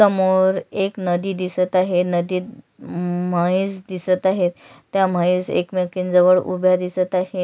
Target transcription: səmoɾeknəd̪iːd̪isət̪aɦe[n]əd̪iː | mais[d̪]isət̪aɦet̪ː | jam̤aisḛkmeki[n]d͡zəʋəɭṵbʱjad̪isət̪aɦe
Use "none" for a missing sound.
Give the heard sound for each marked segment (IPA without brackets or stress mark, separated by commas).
n, d̪, n